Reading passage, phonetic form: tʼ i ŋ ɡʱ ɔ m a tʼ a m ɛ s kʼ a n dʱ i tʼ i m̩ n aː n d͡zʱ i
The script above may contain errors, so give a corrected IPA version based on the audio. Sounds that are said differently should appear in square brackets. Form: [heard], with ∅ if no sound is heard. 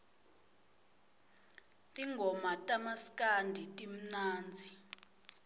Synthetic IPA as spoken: tʼ i ŋ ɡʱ ɔ m a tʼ a m [a] s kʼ a n dʱ i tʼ i m̩ n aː n d͡zʱ i